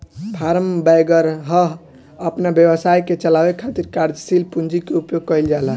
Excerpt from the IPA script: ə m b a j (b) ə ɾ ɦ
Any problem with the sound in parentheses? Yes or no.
yes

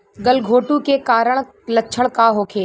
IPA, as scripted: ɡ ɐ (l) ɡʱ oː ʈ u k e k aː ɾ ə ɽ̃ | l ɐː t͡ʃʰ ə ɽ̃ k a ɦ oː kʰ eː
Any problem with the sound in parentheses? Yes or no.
no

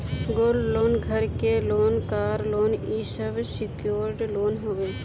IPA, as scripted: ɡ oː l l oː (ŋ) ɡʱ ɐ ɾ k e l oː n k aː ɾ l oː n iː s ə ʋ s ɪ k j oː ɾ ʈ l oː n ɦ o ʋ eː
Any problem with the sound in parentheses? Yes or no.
yes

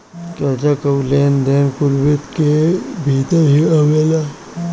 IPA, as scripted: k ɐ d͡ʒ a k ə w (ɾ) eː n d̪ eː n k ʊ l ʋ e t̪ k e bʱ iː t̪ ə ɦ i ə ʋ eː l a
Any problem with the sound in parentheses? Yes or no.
yes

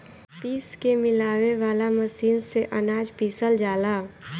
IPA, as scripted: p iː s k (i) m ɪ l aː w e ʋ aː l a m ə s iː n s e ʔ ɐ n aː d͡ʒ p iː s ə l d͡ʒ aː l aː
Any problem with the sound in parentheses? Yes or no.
yes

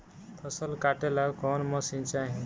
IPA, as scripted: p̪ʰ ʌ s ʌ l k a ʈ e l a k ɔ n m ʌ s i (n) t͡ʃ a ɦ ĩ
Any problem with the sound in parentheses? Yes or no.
no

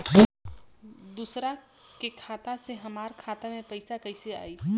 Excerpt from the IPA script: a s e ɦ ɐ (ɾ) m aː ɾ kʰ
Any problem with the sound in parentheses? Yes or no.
yes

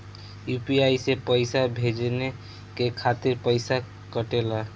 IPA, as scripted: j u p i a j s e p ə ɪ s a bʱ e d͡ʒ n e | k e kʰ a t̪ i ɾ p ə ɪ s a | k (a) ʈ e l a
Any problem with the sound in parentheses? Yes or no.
yes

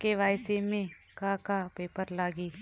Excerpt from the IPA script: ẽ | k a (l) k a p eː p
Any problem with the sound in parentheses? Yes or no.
yes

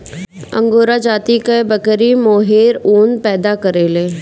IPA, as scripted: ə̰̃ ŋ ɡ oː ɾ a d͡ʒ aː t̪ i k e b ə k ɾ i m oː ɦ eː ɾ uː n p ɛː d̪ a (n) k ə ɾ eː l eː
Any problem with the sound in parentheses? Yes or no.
yes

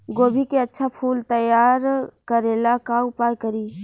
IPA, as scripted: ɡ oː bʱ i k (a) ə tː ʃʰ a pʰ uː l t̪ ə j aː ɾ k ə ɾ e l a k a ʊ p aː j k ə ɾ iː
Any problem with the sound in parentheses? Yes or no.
yes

